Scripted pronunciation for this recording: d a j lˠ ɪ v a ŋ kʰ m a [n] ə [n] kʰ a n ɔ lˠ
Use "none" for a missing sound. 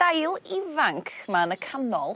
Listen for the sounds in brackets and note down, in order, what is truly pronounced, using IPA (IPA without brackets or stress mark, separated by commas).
n, none